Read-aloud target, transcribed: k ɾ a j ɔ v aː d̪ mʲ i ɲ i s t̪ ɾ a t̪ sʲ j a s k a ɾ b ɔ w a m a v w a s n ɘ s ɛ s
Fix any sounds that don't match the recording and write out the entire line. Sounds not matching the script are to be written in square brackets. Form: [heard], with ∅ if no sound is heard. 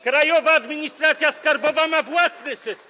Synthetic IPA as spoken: k ɾ a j ɔ v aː d̪ mʲ i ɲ i s t̪ ɾ a t̪ sʲ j a s k a ɾ b ɔ [v] a m a v w a s n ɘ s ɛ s